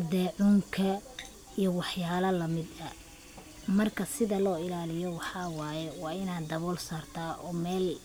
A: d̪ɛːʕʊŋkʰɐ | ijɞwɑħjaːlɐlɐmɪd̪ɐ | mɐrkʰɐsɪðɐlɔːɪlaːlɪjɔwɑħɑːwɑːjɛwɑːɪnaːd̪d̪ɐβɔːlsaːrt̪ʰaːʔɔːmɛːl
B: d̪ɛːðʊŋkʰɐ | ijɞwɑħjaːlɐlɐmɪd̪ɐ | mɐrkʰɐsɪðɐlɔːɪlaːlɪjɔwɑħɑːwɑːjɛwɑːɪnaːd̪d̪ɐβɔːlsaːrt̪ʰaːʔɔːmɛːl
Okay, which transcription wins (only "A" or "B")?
A